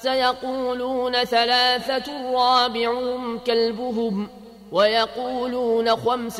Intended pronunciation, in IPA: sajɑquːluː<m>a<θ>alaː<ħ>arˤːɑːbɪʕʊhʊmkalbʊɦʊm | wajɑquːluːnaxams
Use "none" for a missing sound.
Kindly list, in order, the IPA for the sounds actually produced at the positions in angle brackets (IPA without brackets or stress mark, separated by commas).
n, θ, θ